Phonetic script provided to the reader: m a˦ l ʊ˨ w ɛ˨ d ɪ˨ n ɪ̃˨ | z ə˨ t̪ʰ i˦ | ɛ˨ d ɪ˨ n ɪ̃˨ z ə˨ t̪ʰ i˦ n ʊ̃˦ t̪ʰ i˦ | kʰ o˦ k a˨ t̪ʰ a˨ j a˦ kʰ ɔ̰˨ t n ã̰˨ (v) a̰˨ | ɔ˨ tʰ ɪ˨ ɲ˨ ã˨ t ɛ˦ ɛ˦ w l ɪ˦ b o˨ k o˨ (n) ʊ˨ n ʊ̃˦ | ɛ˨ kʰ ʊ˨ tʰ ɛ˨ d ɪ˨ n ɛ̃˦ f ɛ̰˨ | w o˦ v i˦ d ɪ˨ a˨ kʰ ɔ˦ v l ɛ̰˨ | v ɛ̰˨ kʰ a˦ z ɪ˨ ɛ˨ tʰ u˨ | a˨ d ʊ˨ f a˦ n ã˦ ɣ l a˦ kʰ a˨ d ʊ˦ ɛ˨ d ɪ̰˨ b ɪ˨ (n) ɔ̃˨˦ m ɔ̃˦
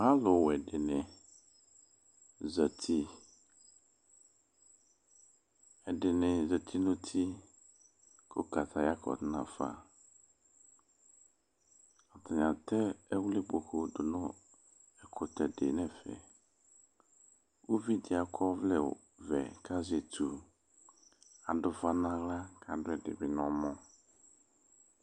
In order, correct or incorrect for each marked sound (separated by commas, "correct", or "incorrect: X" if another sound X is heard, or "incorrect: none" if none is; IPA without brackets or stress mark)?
incorrect: f, incorrect: d, correct